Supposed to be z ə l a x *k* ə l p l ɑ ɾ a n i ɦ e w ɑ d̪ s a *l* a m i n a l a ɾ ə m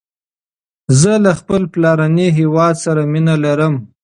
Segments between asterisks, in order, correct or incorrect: incorrect, incorrect

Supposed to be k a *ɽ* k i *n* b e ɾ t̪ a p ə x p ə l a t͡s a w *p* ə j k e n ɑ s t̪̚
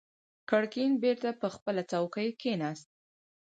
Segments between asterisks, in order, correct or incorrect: correct, correct, incorrect

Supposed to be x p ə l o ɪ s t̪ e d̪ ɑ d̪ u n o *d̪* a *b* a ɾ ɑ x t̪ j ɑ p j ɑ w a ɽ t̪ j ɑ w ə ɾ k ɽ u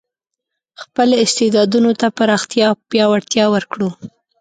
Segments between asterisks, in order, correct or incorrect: incorrect, incorrect

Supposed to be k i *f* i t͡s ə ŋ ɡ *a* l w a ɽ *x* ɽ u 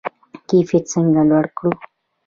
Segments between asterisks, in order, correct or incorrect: correct, correct, incorrect

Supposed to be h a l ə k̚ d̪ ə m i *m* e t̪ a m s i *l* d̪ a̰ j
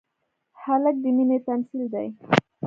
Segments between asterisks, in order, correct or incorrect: incorrect, correct

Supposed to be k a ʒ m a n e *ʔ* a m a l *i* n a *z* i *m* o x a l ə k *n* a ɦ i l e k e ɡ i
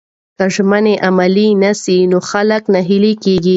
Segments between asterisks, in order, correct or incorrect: correct, correct, incorrect, incorrect, correct

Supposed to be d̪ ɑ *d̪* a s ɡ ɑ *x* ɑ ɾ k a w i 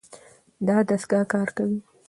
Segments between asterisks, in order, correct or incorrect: correct, incorrect

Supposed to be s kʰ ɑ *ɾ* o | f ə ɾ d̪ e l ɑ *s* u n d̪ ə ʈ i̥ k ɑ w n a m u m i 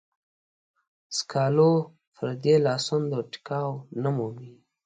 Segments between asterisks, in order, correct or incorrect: incorrect, correct

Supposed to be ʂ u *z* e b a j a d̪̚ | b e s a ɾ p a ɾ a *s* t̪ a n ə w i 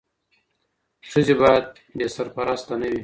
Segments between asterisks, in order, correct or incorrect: correct, correct

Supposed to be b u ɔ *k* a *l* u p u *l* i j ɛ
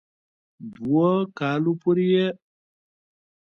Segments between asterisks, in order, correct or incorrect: correct, correct, incorrect

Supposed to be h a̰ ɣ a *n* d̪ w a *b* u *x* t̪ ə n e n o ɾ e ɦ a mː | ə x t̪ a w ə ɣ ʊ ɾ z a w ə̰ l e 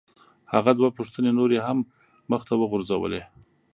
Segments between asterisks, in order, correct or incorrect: incorrect, incorrect, incorrect

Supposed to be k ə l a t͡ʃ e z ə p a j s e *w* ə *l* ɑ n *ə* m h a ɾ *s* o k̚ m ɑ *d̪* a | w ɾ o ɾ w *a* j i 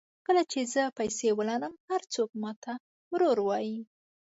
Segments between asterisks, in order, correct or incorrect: correct, correct, correct, incorrect, incorrect, incorrect

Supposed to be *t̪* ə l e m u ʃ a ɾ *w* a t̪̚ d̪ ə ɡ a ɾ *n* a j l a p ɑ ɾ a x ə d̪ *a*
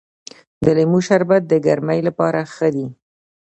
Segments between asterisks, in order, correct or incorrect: incorrect, incorrect, incorrect, incorrect

